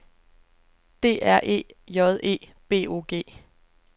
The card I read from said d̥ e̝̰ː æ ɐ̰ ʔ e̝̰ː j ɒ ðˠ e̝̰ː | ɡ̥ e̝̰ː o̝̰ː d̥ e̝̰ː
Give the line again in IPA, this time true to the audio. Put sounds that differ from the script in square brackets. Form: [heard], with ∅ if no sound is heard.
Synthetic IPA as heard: d̥ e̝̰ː æ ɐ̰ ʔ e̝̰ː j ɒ ðˠ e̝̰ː | [b̥] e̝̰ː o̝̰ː [ɡ̥] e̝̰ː